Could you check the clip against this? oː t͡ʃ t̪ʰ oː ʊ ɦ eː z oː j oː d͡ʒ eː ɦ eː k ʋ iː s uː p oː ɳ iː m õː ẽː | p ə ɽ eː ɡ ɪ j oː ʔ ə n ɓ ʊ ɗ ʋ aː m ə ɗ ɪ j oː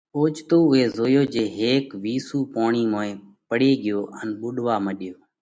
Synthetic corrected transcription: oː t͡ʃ t̪ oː ʊ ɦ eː z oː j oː d͡ʒ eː ɦ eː k ʋ iː s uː p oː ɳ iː m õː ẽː | p ə ɽ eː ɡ ɪ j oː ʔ ə n ɓ ʊ ɗ ʋ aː m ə ɗ ɪ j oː